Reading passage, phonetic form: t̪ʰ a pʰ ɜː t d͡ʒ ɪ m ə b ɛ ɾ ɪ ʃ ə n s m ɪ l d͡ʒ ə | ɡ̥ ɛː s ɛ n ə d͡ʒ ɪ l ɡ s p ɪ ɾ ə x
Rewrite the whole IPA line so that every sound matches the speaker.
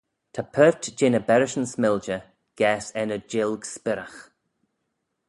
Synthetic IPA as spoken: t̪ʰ a pʰ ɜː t d͡ʒ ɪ n ə b ɛ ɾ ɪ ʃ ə n s m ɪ l d͡ʒ ə | ɡ̥ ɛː s ɛ n ə d͡ʒ ɪ l ɡ s p ɪ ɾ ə x